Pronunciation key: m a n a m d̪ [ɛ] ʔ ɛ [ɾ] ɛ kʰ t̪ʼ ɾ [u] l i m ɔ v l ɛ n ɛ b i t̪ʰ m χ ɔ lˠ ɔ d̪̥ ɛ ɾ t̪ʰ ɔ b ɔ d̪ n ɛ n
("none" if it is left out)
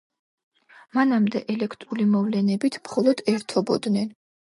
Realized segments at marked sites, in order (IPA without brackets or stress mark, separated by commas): ɛ, l, u